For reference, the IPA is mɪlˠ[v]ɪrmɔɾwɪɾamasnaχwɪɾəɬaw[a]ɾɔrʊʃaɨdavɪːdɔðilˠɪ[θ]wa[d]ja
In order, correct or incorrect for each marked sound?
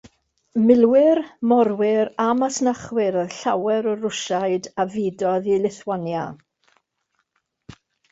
incorrect: w, incorrect: ɛ, correct, incorrect: n

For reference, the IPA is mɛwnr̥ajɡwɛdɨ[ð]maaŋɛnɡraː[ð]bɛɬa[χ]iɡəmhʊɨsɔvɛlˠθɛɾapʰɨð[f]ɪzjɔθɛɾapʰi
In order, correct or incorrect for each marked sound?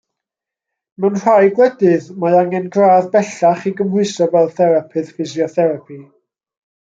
correct, correct, correct, correct

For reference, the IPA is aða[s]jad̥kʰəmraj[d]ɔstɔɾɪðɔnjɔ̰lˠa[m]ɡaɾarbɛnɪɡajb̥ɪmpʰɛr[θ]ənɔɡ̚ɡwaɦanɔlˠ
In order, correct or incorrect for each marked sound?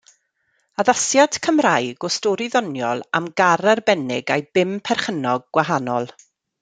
correct, incorrect: ɡ, correct, incorrect: χ

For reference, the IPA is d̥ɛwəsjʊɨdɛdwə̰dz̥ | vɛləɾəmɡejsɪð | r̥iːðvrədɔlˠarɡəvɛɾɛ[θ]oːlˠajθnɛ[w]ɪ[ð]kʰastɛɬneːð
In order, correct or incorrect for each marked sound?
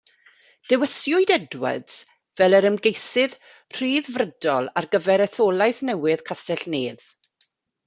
correct, correct, correct

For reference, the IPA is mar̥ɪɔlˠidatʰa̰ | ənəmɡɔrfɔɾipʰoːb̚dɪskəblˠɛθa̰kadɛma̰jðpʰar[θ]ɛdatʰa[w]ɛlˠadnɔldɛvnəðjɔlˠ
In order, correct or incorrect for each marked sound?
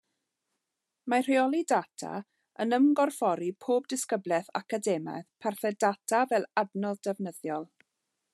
correct, incorrect: v

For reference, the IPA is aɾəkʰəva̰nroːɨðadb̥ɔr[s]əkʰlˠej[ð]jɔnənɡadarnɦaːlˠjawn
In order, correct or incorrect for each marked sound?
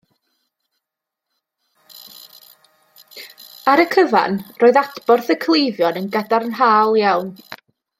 incorrect: θ, incorrect: v

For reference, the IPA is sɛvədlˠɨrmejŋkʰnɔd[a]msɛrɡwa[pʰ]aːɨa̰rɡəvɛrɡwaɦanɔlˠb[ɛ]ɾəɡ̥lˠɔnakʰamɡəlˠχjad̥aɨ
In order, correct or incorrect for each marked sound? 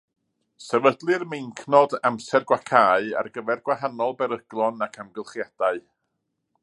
correct, incorrect: kʰ, correct

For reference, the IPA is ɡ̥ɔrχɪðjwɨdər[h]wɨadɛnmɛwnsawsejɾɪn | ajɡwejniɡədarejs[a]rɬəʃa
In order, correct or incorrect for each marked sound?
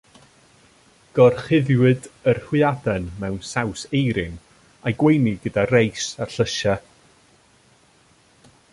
correct, correct

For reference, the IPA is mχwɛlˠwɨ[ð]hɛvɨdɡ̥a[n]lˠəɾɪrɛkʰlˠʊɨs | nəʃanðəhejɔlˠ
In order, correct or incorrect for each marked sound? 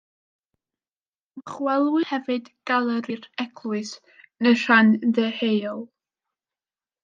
incorrect: none, incorrect: none

